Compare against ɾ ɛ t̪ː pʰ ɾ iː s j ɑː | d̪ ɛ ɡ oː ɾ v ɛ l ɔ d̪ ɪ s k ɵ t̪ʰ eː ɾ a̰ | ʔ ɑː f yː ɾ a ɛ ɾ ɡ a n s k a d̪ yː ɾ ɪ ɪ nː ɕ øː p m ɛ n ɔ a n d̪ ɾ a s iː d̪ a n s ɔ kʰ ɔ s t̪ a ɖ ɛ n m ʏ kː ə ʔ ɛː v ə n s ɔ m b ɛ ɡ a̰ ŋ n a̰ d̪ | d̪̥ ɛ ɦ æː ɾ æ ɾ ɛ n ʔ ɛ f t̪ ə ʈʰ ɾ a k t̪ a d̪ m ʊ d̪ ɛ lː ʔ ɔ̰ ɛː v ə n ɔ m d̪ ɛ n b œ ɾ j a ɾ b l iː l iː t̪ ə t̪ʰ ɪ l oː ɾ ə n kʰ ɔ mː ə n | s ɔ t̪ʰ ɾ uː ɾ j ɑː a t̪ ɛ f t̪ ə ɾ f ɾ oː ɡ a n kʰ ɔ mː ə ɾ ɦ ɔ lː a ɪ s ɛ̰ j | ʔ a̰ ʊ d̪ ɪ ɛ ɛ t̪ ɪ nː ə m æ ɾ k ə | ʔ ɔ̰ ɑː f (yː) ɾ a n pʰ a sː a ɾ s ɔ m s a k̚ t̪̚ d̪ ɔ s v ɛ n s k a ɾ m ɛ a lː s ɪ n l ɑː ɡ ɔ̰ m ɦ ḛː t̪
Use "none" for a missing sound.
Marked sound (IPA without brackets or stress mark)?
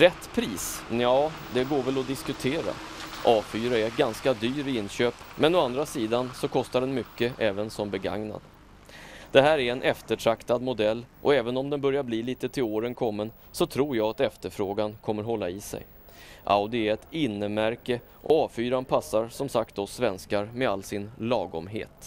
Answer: yː